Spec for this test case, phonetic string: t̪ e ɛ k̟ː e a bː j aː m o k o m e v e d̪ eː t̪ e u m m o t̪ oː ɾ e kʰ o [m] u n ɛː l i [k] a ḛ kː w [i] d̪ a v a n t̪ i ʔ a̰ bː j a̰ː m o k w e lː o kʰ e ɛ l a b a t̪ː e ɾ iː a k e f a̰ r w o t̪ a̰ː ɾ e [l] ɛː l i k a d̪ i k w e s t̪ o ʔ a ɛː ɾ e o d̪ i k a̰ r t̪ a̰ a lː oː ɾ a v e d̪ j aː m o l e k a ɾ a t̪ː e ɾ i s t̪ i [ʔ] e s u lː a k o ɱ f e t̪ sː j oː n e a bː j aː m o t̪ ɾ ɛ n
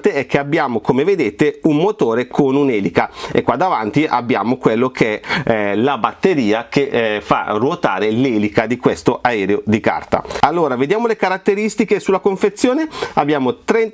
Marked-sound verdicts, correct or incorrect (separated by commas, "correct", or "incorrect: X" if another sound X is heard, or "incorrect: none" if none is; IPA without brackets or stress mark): incorrect: n, correct, incorrect: a, correct, incorrect: k